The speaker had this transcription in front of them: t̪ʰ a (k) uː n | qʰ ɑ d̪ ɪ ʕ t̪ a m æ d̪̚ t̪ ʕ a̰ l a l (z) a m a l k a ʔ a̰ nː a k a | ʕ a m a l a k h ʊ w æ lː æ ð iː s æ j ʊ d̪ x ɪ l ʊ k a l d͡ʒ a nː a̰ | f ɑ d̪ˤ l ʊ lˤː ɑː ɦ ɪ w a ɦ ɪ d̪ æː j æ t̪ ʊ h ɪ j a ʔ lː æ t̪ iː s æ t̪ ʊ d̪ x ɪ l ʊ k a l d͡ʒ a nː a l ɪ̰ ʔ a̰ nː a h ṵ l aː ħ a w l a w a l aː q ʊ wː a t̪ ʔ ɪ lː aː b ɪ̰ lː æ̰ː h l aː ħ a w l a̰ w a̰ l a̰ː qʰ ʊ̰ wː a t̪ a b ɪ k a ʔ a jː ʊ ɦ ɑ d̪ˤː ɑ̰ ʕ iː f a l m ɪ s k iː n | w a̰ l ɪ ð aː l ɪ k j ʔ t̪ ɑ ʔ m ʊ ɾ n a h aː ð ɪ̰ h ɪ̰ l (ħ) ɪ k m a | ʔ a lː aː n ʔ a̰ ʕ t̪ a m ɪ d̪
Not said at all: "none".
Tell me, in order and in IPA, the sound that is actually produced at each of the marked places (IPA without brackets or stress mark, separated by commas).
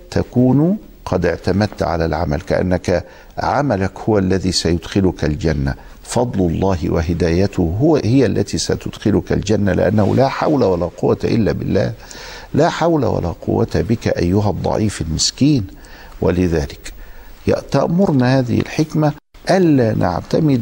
k, ʕ, ħ